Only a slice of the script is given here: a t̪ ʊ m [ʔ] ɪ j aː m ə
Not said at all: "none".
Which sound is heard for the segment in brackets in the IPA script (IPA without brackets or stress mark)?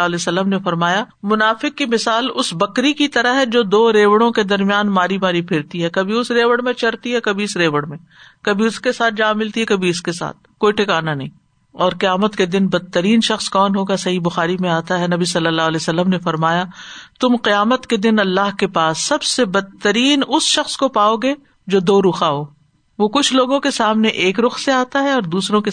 q